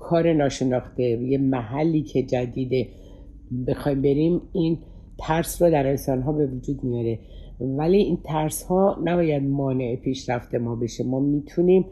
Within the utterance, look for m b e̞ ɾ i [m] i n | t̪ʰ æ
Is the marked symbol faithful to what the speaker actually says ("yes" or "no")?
yes